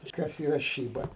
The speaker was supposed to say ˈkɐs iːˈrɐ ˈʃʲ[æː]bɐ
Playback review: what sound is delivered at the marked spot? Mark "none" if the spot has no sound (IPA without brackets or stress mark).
iː